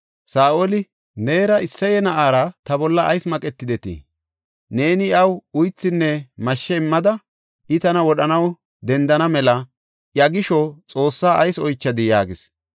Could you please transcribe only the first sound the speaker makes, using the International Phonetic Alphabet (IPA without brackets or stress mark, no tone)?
s